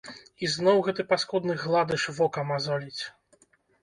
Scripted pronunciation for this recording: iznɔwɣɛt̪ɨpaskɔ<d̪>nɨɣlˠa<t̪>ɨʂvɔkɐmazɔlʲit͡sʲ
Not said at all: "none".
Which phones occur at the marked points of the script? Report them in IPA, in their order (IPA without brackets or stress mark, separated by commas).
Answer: d̪, d̪